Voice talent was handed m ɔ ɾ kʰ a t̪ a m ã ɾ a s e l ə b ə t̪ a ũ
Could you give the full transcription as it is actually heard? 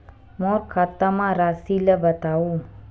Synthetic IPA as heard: m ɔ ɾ kʰ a t̪ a m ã ɾ a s i l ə b ə t̪ a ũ

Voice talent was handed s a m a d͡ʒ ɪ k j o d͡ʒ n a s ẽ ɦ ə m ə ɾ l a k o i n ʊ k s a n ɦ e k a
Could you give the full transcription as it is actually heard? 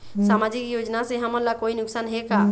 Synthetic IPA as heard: s a m a d͡ʒ i k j o d͡ʒ n a s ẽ ɦ ə m ə ɾ l a k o i n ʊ k s a n ɦ e k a

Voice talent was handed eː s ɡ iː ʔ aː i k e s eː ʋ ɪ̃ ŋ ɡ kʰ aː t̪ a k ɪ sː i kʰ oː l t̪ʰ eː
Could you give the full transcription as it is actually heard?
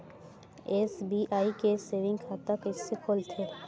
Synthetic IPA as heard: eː s b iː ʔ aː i k e s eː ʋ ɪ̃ ŋ ɡ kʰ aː t̪ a k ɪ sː e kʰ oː l t̪ʰ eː

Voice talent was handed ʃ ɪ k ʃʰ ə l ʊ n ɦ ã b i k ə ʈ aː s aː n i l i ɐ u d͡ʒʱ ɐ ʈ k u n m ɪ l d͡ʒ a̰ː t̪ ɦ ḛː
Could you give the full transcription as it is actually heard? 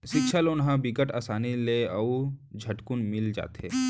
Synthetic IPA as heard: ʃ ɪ k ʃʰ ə l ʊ n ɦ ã b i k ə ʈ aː s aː n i l e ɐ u d͡ʒʱ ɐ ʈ k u n m ɪ l d͡ʒ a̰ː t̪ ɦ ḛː

